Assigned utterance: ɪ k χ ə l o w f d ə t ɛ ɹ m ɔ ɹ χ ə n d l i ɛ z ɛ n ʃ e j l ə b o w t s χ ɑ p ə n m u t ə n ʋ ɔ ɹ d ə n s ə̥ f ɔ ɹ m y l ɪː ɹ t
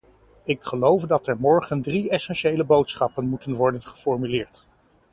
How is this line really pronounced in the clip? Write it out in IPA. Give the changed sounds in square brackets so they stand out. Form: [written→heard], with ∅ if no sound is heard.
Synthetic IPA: ɪ k χ ə l o w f d [ə→ɑ] t ɛ ɹ m ɔ ɹ χ ə n d [l→r] i ɛ [z→s] ɛ n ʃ e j l ə b o w t s χ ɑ p ə n m u t ə n ʋ ɔ ɹ d ə n [s→χ] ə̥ f ɔ ɹ m y l ɪː ɹ t